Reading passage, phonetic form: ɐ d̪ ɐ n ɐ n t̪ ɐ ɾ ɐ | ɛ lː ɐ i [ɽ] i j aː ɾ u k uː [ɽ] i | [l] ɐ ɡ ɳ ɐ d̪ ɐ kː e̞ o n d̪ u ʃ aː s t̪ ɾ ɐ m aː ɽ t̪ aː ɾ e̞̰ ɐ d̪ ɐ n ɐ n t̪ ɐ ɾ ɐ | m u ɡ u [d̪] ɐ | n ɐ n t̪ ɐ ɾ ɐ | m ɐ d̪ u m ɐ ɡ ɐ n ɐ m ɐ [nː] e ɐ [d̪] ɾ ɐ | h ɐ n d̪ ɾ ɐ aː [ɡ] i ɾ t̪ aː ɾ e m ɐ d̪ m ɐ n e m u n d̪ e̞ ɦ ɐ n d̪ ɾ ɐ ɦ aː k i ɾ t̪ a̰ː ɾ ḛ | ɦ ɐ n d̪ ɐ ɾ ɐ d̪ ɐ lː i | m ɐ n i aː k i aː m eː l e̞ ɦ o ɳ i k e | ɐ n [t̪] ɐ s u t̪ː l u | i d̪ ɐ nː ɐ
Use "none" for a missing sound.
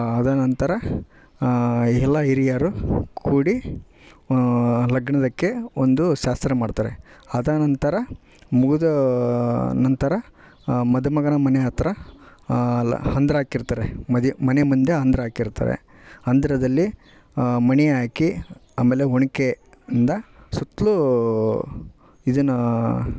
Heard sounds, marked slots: ɾ, ɽ, l, d̪, n, t̪, k, d̪

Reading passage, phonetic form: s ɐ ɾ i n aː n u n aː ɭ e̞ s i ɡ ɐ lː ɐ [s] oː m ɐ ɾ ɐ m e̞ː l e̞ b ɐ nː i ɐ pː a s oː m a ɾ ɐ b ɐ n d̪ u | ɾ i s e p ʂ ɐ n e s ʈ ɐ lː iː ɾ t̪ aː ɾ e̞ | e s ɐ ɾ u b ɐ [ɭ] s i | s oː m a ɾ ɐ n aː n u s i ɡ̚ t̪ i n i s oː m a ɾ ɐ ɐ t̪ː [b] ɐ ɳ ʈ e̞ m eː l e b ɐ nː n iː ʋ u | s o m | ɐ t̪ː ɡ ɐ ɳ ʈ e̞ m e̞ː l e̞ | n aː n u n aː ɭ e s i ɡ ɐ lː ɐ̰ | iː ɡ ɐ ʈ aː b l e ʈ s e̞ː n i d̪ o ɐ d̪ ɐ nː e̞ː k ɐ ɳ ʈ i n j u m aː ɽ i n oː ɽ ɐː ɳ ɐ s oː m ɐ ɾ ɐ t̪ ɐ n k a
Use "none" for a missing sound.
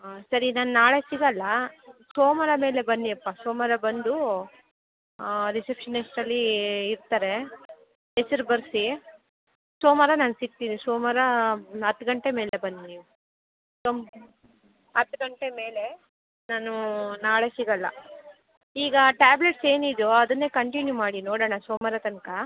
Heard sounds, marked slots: s, ɾ, ɡ

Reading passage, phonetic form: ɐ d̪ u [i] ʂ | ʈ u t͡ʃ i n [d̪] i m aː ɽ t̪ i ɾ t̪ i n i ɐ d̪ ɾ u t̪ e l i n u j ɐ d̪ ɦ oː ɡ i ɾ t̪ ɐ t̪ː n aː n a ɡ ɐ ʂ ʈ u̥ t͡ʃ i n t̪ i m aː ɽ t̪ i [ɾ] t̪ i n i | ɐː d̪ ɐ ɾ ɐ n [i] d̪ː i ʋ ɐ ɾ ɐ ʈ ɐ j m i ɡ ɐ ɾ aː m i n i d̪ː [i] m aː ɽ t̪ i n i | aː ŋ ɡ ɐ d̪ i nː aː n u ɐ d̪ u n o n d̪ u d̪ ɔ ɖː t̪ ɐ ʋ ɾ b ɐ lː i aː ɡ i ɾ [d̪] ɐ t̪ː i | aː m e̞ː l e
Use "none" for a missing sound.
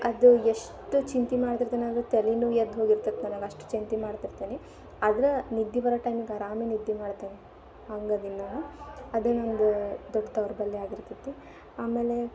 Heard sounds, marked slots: e, t̪, ɾ, i, i, t̪

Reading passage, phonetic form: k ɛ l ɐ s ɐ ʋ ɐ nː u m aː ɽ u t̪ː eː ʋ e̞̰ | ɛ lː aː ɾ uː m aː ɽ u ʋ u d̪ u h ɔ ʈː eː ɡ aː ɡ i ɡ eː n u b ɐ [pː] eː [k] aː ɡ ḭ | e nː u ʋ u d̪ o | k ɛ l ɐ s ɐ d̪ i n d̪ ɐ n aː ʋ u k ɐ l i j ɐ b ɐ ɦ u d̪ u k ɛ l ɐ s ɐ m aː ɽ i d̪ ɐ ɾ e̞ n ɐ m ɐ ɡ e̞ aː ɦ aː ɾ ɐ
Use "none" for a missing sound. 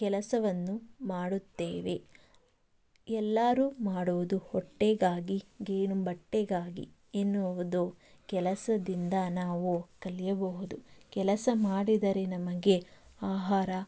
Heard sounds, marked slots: ʈː, ɡ

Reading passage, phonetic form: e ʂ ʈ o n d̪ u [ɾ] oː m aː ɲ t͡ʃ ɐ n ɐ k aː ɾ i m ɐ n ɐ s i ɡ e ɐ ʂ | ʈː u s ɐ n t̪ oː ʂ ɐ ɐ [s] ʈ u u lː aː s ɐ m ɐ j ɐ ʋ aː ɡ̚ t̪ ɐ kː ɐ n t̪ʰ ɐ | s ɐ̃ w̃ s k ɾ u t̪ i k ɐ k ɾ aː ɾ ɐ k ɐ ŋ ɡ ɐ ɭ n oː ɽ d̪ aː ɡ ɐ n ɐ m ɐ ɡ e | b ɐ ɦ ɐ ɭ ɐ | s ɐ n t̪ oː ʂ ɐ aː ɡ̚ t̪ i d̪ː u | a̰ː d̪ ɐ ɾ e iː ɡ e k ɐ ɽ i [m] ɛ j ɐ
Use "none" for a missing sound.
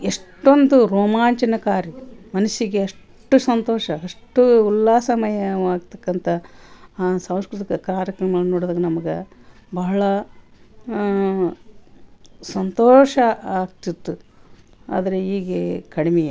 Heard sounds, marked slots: ɾ, ʂ, m

